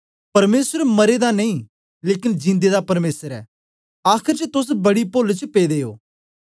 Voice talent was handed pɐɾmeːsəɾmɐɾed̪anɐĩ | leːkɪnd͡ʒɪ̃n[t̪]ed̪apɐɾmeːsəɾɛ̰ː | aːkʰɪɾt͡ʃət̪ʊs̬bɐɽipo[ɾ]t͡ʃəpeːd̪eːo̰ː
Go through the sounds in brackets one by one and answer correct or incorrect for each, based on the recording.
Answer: incorrect: d̪, incorrect: l

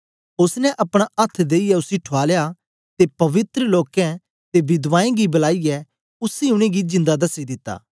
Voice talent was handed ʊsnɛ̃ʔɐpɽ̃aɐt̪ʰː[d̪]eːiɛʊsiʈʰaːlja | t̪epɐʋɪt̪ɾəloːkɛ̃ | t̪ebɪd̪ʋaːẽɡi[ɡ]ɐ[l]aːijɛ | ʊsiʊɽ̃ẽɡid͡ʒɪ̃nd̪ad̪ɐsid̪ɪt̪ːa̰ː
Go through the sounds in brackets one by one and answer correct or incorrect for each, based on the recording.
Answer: correct, incorrect: b, correct

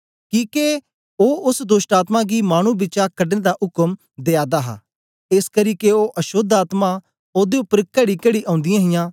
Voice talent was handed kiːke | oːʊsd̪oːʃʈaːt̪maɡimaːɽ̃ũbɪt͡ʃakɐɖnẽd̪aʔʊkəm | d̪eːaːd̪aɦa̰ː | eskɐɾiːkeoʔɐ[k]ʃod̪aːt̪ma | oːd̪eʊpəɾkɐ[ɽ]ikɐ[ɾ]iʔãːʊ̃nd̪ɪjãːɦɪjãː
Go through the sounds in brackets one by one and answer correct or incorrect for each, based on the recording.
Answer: incorrect: none, correct, incorrect: ɽ

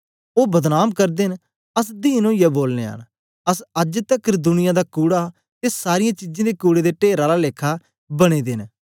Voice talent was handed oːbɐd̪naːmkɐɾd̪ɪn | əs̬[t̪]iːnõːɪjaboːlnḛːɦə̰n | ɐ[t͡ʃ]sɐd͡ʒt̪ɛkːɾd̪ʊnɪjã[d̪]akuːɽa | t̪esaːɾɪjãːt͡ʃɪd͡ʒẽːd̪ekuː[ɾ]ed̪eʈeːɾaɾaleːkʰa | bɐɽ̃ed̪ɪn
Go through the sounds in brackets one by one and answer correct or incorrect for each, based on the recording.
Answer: incorrect: d̪, incorrect: none, correct, incorrect: ɽ

